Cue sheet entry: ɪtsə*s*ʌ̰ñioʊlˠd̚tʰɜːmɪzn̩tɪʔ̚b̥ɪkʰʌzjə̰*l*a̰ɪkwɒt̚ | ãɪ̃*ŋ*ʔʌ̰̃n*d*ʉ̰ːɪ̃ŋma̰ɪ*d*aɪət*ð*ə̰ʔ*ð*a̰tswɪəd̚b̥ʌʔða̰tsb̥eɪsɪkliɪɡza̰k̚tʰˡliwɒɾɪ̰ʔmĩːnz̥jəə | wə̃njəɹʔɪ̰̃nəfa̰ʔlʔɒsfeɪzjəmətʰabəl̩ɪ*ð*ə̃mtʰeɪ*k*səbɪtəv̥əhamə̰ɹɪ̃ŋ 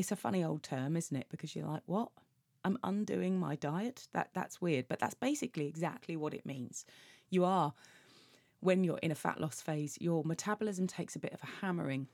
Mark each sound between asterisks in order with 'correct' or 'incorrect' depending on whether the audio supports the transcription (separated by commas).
incorrect, correct, incorrect, correct, correct, correct, correct, incorrect, correct